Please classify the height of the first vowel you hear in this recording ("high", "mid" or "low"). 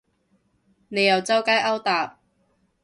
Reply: mid